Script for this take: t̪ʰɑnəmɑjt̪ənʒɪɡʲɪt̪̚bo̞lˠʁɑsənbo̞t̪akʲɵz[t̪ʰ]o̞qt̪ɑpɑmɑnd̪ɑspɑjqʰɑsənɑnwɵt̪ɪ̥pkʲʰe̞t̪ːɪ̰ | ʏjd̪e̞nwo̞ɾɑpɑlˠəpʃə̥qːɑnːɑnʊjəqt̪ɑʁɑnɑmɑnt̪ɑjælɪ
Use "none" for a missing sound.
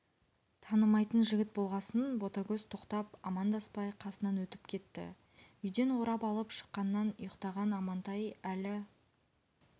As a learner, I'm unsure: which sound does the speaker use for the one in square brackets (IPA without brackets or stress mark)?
t̪ʰ